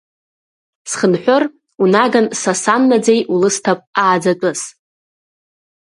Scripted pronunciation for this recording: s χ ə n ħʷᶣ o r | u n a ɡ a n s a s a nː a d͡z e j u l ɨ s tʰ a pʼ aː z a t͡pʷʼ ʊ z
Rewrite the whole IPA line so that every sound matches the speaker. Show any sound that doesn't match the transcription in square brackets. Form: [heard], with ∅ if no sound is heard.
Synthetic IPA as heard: s χ ə n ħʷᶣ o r | u n a ɡ a n s a s a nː a d͡z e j u l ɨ s tʰ a pʼ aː [d͡z] a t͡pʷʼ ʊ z